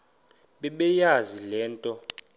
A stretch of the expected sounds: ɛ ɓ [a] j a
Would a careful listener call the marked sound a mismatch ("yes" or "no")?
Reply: yes